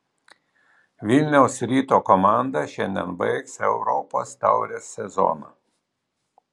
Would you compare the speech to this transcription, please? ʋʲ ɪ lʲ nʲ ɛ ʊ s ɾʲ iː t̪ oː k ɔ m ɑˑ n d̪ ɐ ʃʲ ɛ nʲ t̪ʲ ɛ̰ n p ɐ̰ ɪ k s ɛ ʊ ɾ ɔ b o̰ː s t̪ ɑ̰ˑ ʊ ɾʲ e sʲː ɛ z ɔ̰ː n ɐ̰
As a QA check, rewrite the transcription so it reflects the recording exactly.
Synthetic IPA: ʋʲ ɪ lʲ nʲ ɛ ʊ s ɾʲ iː t̪ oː k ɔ m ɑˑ n d̪ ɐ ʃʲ ɛ nʲ d̪ʲ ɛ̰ n b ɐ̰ ɪ k s ɛ ʊ ɾ ɔ p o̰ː s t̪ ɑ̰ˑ ʊ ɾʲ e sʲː ɛ z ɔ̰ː n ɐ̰